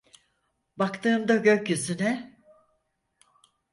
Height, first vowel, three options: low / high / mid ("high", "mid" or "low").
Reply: low